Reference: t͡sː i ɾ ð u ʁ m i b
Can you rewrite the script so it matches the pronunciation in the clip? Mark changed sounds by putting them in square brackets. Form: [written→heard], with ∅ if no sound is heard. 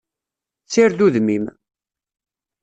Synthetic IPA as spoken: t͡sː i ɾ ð u [ʁ→ð] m i [b→m]